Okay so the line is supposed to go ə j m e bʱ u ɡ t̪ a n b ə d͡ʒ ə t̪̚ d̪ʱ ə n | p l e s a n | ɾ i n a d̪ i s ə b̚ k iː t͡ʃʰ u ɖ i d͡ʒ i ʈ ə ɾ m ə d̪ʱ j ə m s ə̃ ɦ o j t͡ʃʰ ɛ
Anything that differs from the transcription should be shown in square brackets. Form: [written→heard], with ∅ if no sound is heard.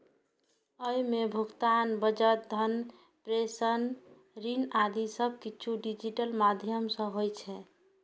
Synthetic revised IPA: ə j m e bʱ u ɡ t̪ a n b ə d͡ʒ ə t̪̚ d̪ʱ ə n | p [l→ɾ] e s [a→ə] n | ɾ i n a d̪ i s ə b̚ k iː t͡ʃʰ u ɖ i d͡ʒ i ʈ ə [ɾ→l] m [ə→a] d̪ʱ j ə m s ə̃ ɦ o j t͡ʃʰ ɛ